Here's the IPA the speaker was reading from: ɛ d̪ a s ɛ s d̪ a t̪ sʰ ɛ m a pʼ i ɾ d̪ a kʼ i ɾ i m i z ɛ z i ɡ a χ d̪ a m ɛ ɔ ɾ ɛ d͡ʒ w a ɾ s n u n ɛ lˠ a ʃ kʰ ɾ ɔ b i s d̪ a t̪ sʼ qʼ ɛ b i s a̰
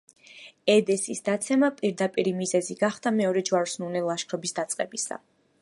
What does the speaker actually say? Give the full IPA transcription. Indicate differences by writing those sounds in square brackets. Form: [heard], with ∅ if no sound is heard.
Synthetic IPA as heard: ɛ d̪ [ɛ] s [i] s d̪ a t̪ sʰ ɛ m a pʼ i ɾ d̪ a [pʼ] i ɾ i m i z ɛ z i ɡ a χ d̪ a m ɛ ɔ ɾ ɛ d͡ʒ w a ɾ s n u n ɛ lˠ a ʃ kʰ ɾ ɔ b i s d̪ a t̪ sʼ qʼ ɛ b i s a̰